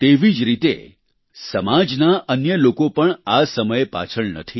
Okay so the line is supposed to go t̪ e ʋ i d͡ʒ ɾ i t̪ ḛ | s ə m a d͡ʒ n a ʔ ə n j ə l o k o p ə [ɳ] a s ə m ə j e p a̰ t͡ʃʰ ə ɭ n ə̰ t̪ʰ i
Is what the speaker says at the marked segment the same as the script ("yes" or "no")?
yes